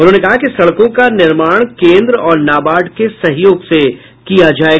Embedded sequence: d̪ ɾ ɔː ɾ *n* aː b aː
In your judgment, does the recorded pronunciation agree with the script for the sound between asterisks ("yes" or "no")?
yes